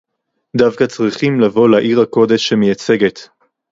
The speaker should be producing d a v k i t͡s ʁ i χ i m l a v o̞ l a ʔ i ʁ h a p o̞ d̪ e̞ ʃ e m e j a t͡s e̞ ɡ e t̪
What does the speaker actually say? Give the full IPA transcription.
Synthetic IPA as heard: d a v k a t͡s ʁ i χ i m l a v o̞ l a ʔ i ʁ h a k o̞ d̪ e̞ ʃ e m e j a t͡s e̞ ɡ e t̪